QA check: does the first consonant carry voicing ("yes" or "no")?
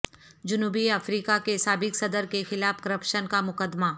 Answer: yes